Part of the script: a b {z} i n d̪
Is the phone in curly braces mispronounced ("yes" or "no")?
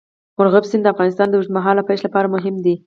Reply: yes